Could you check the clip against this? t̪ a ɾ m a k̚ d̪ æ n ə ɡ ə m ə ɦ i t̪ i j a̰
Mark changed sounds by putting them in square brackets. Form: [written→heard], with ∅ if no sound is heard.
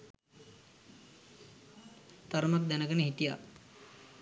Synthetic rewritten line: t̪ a ɾ m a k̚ d̪ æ n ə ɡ ə [m→n] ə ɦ i t̪ i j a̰